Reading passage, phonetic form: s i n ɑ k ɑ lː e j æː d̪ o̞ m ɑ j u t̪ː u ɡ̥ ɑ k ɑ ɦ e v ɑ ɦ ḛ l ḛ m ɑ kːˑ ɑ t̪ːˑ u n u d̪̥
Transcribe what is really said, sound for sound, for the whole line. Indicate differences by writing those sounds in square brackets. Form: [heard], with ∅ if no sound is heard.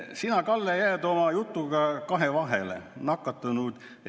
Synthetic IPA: s i n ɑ k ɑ lː e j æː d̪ o̞ m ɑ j u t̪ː u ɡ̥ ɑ k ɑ ɦ e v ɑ ɦ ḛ l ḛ [n] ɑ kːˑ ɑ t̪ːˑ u n u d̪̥